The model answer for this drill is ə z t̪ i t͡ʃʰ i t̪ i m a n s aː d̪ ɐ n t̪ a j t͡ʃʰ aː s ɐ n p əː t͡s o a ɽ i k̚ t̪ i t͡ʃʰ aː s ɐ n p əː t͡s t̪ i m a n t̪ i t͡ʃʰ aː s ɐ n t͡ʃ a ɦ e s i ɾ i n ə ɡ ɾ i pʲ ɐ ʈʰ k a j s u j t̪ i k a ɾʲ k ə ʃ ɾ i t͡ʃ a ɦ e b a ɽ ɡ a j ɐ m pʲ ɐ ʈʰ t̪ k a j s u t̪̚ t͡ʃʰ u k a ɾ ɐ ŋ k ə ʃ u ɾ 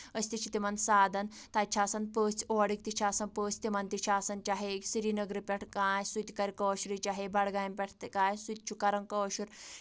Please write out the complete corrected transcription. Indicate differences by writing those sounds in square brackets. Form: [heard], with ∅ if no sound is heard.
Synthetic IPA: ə [s] t̪ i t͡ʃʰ i t̪ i m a n s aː d̪ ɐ n t̪ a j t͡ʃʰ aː s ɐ n p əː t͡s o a ɽ i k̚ t̪ i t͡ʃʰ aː s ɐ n p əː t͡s t̪ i m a n t̪ i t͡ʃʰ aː s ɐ n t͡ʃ a ɦ e s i ɾ i n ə ɡ ɾ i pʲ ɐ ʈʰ k a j s u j t̪ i k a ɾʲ k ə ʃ ɾ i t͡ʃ a ɦ e b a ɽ ɡ a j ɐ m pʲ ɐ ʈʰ t̪ k a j s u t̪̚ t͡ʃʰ u k a ɾ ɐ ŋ k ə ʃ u ɾ